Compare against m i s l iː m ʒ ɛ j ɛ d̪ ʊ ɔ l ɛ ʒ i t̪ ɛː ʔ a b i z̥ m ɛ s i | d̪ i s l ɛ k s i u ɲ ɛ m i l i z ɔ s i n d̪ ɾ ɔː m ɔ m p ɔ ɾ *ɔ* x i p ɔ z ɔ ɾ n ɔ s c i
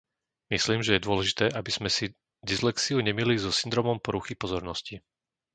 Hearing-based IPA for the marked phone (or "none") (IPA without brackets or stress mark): u